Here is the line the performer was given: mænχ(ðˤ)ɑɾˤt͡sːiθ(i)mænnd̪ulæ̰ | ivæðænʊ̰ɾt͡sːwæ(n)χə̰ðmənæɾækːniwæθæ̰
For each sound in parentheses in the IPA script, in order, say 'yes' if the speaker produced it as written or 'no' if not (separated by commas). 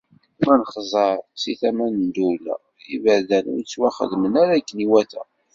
no, no, no